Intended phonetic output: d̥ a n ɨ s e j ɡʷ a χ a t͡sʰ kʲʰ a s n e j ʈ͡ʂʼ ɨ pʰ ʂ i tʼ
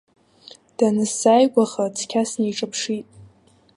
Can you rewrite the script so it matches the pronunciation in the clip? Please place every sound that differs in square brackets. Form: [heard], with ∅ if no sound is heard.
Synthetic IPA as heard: d̥ a n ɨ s [a] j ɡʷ a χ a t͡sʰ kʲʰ a s n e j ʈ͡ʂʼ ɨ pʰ ʂ i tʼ